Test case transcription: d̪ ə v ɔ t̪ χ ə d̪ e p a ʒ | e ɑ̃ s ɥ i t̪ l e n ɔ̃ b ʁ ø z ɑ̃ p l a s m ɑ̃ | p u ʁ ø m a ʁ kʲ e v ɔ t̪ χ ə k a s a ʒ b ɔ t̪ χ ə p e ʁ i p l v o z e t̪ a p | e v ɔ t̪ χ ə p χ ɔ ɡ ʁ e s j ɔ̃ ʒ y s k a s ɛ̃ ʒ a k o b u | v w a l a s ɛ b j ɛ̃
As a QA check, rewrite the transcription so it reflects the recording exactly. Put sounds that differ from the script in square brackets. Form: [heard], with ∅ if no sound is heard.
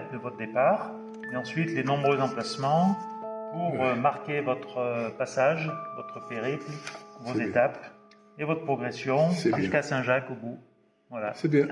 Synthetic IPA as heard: d̪ ə v ɔ t̪ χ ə d̪ e p a [ʁ] | e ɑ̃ s ɥ i t̪ l e n ɔ̃ b ʁ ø z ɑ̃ p l a s m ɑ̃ | p u ʁ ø m a ʁ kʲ e v ɔ t̪ χ ə [p] a s a ʒ [v] ɔ t̪ χ ə p e ʁ i p l v o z e t̪ a p | e v ɔ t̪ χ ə p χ ɔ ɡ ʁ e s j ɔ̃ ʒ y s k a s ɛ̃ ʒ a k o b u | v w a l a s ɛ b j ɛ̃